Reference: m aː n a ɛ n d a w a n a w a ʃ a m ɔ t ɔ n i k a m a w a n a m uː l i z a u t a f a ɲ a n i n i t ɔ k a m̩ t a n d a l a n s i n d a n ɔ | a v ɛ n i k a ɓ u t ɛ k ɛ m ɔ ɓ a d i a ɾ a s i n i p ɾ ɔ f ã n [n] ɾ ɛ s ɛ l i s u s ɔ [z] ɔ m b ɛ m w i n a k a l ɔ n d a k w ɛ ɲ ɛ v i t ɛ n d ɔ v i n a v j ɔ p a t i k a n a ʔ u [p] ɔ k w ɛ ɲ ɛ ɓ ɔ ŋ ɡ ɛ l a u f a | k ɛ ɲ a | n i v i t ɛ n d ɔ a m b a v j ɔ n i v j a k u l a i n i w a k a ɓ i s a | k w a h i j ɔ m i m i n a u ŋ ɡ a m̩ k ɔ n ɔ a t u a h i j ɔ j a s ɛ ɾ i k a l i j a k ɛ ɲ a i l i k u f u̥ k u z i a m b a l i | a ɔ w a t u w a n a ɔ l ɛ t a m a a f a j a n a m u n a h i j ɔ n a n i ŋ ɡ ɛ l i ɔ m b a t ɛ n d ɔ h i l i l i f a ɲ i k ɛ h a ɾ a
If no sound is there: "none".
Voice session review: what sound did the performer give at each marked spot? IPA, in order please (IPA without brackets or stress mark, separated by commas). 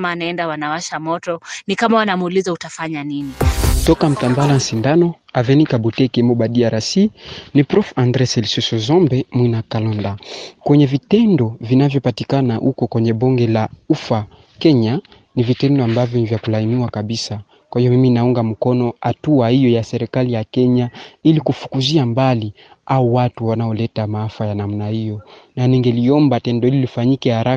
d, z, k